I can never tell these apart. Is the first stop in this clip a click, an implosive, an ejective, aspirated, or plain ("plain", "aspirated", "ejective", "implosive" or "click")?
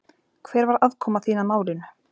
aspirated